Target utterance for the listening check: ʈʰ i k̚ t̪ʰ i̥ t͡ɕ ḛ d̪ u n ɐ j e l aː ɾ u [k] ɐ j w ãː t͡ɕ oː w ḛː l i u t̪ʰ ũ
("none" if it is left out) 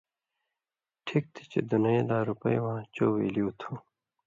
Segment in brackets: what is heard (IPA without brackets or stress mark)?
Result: p